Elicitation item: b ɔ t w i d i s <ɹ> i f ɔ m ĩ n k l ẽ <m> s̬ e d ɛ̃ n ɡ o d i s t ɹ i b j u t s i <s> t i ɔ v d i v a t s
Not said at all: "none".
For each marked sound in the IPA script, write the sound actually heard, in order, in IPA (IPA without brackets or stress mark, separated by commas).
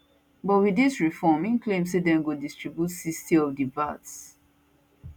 ɹ, m, s